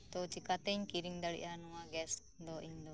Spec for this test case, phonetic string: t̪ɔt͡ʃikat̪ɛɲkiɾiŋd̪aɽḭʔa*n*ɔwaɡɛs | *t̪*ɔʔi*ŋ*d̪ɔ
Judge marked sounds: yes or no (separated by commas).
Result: yes, no, no